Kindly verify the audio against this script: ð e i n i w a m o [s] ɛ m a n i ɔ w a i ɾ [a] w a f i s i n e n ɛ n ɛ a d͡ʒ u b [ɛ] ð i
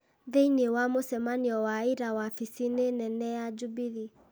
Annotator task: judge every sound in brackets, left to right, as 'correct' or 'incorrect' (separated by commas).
correct, correct, incorrect